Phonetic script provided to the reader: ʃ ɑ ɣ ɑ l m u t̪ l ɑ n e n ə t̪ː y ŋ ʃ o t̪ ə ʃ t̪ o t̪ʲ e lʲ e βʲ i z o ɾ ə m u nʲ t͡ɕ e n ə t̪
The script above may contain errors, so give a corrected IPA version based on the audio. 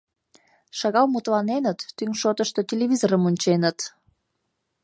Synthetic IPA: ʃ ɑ ɣ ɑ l m u t̪ l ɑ n e n ə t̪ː y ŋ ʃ o t̪ ə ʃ t̪ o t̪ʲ e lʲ e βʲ i z o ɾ ə m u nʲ t͡ɕ e n ə t̪